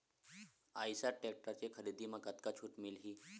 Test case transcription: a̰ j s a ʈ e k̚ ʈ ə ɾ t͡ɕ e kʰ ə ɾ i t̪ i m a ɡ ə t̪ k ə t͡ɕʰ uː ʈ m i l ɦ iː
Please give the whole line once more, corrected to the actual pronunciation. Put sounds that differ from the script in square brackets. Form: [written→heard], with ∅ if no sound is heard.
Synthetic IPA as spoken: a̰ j s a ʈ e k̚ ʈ ə ɾ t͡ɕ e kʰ ə ɾ i [t̪→d̪] i m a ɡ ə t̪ k [ə→a] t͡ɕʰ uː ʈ m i l ɦ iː